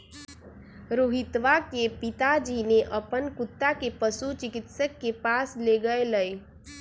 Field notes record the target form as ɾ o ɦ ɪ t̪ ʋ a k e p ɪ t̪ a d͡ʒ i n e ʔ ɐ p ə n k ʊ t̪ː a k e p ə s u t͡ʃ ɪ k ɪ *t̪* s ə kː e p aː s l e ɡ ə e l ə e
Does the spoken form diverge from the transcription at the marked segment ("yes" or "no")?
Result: no